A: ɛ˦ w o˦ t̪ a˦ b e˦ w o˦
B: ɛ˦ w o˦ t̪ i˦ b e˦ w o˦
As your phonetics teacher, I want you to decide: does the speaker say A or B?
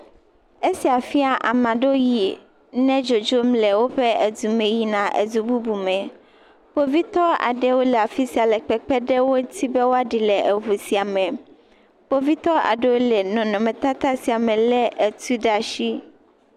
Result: B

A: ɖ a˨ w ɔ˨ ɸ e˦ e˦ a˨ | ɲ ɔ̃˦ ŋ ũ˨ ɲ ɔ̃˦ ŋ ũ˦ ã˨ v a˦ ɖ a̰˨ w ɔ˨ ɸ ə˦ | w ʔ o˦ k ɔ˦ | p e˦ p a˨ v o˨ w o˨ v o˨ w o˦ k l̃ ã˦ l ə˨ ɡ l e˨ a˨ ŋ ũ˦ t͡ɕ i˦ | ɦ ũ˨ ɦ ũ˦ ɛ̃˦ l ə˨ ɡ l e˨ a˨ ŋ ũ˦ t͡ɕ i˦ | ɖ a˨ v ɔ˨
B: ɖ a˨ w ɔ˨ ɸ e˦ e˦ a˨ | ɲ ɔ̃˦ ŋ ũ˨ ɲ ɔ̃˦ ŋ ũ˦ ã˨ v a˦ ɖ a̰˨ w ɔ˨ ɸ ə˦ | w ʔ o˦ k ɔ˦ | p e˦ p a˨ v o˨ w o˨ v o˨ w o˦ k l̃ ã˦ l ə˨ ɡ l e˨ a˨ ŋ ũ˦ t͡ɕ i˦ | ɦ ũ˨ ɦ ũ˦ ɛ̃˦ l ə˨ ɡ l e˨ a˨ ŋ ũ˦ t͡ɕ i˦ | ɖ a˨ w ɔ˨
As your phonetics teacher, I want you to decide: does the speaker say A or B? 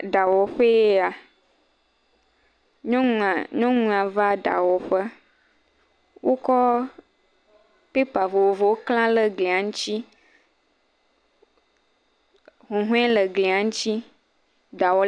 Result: B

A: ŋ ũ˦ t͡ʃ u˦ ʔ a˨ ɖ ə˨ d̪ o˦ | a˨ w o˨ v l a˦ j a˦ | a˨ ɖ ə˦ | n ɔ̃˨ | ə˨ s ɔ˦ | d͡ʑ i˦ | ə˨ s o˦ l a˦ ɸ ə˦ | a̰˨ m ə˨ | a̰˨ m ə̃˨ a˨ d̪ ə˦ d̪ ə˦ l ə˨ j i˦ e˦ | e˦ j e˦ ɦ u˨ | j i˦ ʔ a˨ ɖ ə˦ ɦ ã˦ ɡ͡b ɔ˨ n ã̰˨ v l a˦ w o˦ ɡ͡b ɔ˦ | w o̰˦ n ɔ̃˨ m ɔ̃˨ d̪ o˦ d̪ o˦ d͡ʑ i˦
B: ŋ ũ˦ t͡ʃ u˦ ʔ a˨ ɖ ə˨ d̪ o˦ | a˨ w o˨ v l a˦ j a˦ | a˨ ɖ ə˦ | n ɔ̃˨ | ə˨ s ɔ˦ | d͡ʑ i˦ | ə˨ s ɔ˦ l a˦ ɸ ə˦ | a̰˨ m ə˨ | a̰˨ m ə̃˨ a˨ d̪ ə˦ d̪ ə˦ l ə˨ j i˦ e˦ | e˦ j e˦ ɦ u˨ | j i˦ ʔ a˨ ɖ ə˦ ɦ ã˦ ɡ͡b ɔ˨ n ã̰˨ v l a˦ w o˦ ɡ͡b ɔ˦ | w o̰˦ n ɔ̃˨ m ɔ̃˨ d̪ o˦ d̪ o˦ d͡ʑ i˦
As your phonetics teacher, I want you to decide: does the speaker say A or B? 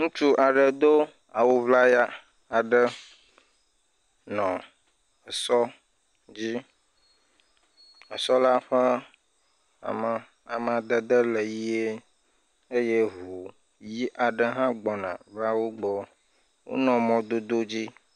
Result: B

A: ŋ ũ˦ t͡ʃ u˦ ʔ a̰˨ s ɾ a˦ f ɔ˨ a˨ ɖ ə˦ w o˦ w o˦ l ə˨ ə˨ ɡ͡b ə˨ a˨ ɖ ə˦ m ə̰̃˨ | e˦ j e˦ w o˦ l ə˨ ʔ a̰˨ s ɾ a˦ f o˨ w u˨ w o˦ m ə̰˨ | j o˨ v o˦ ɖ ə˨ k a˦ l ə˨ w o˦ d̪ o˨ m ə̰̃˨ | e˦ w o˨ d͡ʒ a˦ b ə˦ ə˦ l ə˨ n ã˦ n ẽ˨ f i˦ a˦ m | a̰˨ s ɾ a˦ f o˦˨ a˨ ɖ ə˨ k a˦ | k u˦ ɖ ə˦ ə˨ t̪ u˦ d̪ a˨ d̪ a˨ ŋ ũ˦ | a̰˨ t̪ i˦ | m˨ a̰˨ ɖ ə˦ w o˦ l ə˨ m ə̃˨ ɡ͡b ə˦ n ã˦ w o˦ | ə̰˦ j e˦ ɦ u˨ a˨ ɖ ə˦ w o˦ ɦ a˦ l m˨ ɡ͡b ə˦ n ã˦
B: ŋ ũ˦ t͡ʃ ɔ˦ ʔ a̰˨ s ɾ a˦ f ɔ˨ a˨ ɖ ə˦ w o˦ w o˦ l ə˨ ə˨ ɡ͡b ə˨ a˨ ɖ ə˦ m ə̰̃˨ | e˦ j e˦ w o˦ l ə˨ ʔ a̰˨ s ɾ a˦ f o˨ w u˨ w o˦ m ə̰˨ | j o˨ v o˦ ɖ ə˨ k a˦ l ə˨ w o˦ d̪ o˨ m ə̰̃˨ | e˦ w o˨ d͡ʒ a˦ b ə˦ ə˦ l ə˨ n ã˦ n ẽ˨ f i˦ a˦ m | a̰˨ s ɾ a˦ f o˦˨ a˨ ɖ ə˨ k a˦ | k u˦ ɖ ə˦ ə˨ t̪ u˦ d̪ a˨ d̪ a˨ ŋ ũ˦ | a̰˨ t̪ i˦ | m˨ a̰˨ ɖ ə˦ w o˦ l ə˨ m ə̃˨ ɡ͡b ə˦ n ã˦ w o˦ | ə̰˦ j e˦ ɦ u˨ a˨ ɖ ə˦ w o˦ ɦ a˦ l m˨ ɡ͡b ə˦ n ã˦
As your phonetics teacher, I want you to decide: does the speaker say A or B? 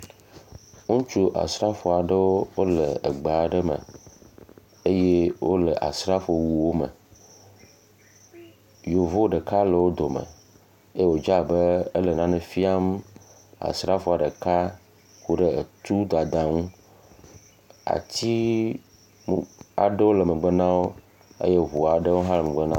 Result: A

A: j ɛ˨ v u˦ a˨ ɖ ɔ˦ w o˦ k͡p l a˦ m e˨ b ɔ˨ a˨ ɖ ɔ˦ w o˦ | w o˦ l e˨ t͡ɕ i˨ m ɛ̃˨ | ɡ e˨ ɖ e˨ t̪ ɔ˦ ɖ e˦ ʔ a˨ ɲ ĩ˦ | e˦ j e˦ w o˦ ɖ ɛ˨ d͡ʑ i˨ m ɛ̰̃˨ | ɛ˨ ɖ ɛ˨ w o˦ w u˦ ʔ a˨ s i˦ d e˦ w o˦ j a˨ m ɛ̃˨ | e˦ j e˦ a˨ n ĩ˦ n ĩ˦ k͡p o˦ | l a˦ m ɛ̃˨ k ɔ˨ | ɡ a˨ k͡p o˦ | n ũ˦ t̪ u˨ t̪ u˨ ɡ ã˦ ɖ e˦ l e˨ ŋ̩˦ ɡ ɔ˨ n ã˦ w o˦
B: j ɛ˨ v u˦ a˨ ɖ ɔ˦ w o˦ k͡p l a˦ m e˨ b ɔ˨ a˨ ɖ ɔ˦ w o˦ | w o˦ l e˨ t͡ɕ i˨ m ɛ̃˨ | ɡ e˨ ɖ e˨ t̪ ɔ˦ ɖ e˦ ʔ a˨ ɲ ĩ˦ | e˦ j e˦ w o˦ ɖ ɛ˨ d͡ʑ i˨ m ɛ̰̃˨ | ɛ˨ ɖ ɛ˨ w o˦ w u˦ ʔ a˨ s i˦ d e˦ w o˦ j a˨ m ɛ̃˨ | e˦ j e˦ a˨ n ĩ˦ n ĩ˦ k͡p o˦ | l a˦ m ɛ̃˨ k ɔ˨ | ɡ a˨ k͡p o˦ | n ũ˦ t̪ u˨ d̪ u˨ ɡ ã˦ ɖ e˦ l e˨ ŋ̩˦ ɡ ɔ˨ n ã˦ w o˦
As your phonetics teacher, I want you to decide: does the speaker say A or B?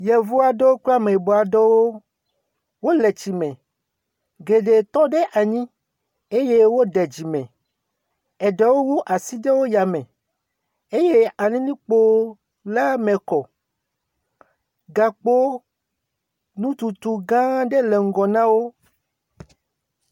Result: A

